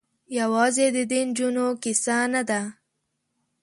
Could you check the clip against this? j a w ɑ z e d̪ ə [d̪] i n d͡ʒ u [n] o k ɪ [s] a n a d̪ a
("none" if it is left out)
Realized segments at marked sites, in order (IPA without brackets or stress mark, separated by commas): d̪, n, s